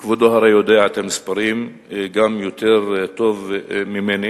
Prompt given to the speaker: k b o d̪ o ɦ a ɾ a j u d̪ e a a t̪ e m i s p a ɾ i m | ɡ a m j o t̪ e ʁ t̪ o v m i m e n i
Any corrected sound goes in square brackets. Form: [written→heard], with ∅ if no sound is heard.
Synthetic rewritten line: k [b→v] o d̪ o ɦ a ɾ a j [u→o] d̪ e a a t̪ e m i s p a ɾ i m | ɡ a m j o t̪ e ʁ t̪ o v m i m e n i